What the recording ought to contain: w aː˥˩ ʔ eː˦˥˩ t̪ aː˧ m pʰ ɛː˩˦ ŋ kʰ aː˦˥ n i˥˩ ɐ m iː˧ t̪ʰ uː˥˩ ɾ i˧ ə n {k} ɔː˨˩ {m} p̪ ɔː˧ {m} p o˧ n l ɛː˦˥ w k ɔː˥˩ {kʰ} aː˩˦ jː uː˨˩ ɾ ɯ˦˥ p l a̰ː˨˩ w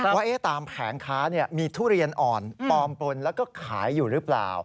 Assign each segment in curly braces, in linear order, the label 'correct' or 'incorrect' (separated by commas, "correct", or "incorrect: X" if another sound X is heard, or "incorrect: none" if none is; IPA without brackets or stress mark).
incorrect: ʔ, incorrect: n, correct, correct